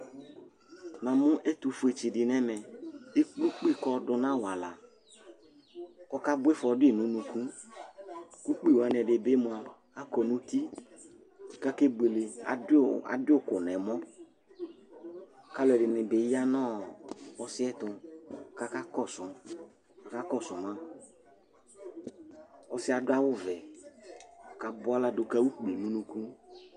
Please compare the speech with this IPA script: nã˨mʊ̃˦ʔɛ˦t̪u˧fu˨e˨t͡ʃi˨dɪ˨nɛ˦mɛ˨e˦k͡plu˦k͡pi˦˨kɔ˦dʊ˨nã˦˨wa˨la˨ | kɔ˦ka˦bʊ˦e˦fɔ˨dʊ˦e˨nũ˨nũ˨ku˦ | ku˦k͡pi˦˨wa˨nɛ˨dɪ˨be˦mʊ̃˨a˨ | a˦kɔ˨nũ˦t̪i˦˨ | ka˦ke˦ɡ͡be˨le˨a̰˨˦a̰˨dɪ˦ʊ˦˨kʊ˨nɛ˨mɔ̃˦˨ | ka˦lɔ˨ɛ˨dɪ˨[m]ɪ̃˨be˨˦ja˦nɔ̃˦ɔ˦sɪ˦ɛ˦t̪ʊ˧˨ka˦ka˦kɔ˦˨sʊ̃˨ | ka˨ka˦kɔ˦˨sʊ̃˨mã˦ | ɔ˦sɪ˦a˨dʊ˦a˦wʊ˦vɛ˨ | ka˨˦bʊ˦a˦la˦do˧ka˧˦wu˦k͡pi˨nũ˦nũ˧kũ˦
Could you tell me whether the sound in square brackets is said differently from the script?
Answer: yes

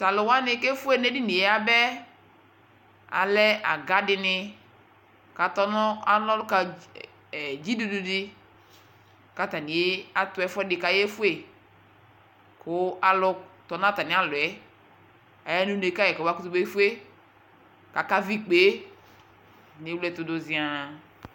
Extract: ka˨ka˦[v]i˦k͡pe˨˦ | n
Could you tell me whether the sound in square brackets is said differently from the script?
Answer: no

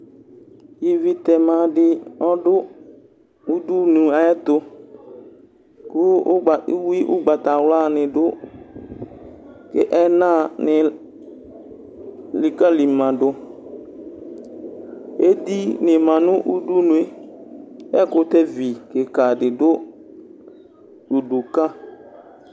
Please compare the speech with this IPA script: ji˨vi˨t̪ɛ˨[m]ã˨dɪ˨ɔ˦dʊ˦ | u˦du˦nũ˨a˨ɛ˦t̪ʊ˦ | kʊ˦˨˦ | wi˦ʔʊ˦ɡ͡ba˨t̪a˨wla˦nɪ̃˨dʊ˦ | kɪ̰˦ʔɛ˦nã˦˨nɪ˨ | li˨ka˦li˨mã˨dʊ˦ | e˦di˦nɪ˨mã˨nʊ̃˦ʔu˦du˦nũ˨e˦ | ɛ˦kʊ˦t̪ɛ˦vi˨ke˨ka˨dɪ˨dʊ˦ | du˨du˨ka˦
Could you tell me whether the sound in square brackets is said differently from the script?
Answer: no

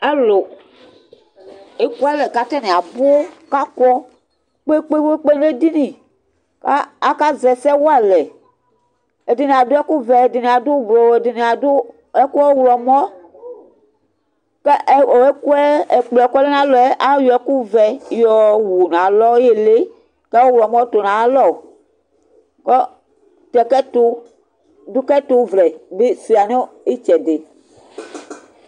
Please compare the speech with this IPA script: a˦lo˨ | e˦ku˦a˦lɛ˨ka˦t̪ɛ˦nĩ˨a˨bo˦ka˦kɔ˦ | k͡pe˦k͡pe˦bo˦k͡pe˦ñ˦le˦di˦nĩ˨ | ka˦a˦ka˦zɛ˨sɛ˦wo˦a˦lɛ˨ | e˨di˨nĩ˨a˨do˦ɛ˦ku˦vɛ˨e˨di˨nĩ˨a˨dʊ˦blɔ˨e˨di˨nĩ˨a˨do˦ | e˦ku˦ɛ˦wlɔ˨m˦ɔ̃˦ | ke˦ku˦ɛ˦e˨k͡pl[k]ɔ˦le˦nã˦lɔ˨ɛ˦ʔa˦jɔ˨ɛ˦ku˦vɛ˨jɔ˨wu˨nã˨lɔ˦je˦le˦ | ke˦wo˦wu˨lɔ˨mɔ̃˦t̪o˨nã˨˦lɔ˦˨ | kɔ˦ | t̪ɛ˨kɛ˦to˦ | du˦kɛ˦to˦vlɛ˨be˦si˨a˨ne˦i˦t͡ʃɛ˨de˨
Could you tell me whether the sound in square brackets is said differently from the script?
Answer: no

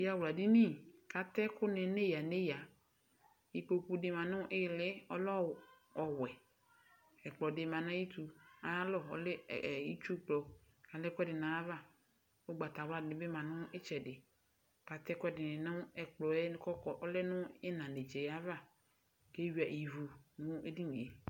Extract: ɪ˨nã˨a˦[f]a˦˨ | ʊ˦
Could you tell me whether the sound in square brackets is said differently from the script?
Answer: yes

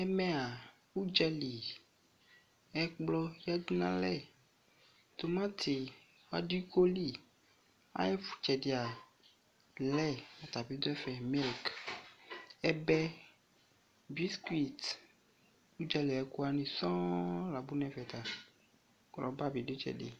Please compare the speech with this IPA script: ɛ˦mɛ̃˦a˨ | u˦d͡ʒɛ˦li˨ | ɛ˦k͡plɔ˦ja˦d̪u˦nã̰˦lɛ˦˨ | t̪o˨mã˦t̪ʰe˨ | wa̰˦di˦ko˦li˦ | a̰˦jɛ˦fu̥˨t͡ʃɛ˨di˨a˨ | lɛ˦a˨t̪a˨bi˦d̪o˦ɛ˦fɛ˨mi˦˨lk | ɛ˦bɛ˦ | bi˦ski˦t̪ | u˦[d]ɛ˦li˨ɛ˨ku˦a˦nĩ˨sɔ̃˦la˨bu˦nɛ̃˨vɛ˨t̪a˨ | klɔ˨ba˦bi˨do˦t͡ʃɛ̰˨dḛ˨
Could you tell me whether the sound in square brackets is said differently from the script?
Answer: yes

